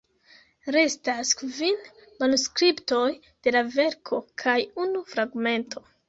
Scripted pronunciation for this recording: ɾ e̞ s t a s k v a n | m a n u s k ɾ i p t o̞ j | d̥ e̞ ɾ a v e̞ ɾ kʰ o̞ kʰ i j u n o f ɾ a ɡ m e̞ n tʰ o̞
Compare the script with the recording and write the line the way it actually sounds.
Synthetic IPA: ɾ e̞ s t a s k v i n | m a n u s k ɾ i p t o̞ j | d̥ e̞ l a v e̞ ɾ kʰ o̞ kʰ a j u n u f ɾ a ɡ m e̞ n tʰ o̞